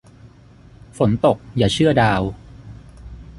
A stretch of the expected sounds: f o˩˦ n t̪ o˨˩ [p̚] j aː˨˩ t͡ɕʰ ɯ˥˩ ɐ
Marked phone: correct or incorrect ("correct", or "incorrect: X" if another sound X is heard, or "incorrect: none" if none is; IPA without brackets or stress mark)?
incorrect: k̚